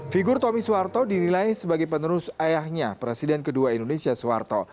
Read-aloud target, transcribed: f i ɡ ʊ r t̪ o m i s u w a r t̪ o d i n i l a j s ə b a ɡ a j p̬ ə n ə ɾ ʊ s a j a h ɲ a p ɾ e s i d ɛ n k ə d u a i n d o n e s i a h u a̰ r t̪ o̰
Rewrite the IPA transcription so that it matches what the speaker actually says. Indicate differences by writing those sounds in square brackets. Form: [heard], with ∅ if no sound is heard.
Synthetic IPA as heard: f i ɡ ʊ r t̪ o m i s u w a r t̪ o d i n i l a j s ə b a ɡ a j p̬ ə n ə ɾ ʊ s a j a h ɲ a p ɾ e s i d ɛ n k ə d u a i n d o n e s i a [s] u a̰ r t̪ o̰